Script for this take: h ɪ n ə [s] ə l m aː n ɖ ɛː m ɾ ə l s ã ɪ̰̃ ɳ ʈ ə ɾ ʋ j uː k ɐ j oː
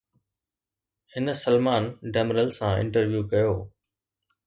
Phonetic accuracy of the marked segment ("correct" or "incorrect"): correct